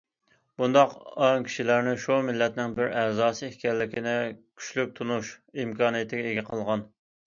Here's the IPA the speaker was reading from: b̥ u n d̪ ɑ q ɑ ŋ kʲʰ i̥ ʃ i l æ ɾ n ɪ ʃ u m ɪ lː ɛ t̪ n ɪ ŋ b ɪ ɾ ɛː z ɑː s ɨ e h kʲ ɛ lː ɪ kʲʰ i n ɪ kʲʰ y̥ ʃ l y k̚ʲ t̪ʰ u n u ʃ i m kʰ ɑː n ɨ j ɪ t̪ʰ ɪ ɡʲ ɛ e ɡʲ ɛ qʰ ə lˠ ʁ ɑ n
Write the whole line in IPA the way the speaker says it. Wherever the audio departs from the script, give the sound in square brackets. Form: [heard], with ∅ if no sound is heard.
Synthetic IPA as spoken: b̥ u n d̪ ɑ q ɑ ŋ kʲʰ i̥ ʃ i l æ ɾ n ɪ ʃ u m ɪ lː ɛ t̪ n ɪ ŋ b ɪ ɾ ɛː z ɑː s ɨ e h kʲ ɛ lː ɪ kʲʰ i n ɪ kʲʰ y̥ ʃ l y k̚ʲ t̪ʰ u n u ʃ i m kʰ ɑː n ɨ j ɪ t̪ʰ ɪ ɡʲ ɛ e ɡʲ ɛ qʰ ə lˠ ʁ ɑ n